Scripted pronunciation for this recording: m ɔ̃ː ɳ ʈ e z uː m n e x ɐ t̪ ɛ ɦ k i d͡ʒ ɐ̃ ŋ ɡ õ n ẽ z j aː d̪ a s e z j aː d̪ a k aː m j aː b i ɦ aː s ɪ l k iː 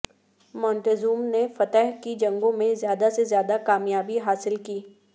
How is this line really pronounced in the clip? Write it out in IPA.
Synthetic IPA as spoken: m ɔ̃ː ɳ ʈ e z uː m n e f ɐ t̪ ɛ ɦ k i d͡ʒ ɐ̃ ŋ ɡ õ m ẽ z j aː d̪ a s e z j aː d̪ a k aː m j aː b i ɦ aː s ɪ l k iː